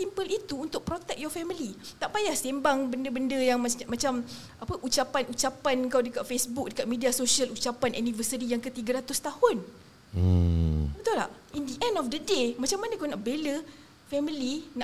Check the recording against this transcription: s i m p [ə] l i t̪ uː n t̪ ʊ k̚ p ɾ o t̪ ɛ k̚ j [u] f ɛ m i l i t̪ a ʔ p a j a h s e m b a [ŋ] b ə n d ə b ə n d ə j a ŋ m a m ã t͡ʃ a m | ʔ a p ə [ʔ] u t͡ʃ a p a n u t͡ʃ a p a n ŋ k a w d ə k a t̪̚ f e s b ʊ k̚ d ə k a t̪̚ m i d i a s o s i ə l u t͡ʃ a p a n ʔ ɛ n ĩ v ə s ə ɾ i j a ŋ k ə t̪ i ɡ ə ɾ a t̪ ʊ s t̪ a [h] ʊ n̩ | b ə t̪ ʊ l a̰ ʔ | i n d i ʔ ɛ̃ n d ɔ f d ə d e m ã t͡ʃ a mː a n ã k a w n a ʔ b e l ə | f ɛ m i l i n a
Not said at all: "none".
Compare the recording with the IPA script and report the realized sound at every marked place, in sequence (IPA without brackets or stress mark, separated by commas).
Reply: ə, ɔ, ŋ, ʔ, h